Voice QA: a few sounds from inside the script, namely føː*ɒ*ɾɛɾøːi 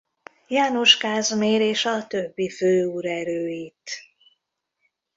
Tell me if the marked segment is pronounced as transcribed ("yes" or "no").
no